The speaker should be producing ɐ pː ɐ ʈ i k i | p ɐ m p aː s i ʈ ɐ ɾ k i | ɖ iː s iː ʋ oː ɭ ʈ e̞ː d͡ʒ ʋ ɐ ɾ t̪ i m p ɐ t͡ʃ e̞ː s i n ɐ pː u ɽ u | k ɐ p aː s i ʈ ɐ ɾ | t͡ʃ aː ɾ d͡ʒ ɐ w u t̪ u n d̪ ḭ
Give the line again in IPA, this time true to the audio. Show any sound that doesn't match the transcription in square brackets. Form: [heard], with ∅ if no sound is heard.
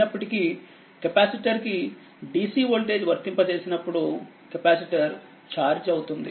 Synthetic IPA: ɐ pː ɐ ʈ i k i | [k] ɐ [∅] p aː s i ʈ ɐ ɾ k i | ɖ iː s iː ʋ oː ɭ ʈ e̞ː d͡ʒ ʋ ɐ ɾ t̪ i m p ɐ t͡ʃ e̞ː s i n ɐ pː u ɽ u | k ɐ p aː s i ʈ ɐ ɾ | t͡ʃ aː ɾ d͡ʒ ɐ w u t̪ u n d̪ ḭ